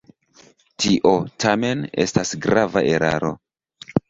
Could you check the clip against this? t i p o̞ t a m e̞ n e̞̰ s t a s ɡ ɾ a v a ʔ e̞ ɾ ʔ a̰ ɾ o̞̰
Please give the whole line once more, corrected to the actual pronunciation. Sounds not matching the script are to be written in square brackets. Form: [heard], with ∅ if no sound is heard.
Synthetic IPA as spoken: t i [ʔ] o̞ t a m e̞ n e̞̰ s t a s ɡ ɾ a v a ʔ e̞ ɾ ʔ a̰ ɾ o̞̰